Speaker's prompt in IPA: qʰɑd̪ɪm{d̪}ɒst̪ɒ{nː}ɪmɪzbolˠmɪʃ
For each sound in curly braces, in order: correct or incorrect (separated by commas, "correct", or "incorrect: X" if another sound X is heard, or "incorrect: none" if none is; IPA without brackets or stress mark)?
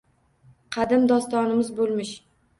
correct, incorrect: n